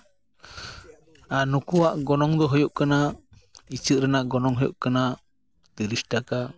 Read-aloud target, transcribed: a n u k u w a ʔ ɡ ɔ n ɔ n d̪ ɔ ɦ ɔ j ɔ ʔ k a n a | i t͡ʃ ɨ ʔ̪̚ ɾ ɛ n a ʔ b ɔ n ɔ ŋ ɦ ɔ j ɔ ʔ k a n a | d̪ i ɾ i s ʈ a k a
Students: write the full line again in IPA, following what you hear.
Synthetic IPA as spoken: a n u k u w a ʔ ɡ ɔ n ɔ ŋ d̪ ɔ ɦ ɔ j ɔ ʔ k a n a | i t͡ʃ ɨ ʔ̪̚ ɾ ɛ n a ʔ ɡ ɔ n ɔ ŋ ɦ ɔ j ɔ ʔ k a n a | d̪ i ɾ i s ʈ a k a